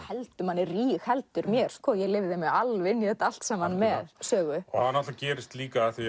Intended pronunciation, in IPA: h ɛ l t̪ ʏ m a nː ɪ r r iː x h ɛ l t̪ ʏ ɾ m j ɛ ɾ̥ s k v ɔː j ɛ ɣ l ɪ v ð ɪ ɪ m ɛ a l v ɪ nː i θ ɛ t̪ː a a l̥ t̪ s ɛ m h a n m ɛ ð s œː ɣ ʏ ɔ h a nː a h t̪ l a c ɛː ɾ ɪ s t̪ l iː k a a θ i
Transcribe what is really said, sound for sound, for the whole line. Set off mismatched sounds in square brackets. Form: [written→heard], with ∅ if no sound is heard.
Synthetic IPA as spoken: h ɛ l t̪ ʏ m a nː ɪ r r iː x h ɛ l t̪ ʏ ɾ m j ɛ ɾ̥ s k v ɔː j ɛ ɣ l ɪ v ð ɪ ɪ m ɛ a l v ɪ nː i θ ɛ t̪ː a a l̥ t̪ s ɛ m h a n m ɛ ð s œː ɣ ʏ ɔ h a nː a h t̪ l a c ɛː ɾ ɪ s t̪ l iː k a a θ i